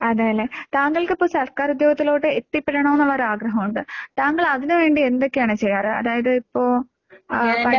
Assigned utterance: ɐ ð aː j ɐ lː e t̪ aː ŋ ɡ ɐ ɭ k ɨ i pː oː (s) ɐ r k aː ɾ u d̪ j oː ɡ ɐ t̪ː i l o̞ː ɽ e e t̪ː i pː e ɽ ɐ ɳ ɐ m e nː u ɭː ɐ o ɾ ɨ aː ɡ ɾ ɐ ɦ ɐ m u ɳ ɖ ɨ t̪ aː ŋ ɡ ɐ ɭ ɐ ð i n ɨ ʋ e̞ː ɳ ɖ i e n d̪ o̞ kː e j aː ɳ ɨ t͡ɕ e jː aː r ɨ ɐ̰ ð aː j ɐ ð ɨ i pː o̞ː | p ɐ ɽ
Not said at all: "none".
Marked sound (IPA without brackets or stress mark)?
s